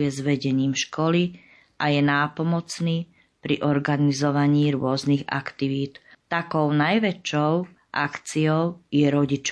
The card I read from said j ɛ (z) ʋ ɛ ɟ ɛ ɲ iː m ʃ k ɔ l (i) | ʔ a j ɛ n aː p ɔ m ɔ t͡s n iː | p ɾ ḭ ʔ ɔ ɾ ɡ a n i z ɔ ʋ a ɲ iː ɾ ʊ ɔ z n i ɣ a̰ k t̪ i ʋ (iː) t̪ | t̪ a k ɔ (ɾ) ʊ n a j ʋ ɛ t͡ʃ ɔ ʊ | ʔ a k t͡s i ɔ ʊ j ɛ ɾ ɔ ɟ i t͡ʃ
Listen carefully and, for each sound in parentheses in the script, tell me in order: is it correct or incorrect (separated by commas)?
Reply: correct, correct, correct, incorrect